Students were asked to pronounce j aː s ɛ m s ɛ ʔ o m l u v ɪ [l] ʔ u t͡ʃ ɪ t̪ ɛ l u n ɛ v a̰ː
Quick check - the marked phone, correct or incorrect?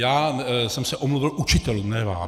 correct